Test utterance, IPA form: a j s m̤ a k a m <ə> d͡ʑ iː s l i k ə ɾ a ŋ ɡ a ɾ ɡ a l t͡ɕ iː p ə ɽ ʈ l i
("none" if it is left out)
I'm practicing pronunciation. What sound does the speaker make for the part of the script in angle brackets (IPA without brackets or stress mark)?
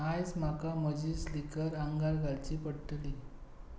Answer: ə